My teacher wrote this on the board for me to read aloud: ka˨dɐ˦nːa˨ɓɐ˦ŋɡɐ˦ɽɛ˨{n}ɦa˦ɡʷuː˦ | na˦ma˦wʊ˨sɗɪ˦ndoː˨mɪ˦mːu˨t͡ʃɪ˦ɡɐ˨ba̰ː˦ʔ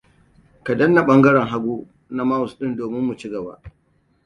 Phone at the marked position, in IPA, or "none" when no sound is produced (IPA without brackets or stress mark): ŋ